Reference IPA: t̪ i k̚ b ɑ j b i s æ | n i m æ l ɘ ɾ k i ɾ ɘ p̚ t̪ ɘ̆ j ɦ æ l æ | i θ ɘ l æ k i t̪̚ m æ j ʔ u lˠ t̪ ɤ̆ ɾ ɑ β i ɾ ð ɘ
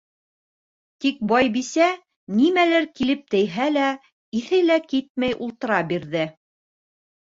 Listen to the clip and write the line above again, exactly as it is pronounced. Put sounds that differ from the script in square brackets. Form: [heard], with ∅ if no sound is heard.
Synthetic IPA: t̪ i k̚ b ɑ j b i s æ | n i m æ l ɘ ɾ k i [l] ɘ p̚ t̪ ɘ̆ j ɦ æ l æ | i θ ɘ l æ k i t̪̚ m æ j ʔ u lˠ t̪ ɤ̆ ɾ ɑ [b] i ɾ ð ɘ